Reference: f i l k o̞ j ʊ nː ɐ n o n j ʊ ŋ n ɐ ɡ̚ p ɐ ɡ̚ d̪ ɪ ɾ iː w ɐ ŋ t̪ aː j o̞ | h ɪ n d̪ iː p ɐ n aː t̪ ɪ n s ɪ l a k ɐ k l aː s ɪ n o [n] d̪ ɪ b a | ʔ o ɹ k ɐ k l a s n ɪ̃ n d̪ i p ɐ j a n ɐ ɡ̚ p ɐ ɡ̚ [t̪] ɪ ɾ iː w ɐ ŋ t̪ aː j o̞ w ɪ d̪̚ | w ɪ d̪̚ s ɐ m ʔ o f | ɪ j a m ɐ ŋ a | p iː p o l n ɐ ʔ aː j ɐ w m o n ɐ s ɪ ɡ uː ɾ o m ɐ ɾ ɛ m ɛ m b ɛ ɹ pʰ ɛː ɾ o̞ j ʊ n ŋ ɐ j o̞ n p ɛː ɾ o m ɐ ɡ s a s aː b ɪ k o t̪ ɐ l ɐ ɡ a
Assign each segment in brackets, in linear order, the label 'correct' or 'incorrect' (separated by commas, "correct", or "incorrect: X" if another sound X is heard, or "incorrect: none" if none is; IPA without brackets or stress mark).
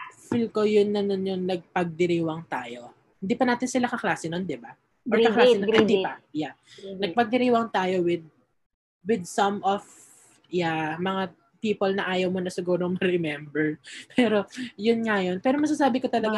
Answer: correct, incorrect: d̪